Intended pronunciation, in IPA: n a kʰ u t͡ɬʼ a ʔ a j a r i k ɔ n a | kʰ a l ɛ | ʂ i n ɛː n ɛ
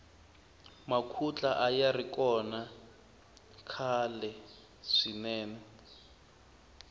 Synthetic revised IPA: m a kʰ u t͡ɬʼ a ʔ a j a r i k ɔ n a | kʰ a l ɛ | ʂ i n ɛː n ɛ